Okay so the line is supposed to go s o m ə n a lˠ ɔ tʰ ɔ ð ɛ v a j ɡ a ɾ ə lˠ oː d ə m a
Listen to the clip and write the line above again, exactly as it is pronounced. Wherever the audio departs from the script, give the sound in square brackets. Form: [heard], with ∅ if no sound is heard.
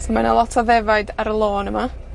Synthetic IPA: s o m [a] n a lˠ ɔ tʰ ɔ ð ɛ v a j [d] a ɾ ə lˠ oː [n] ə m a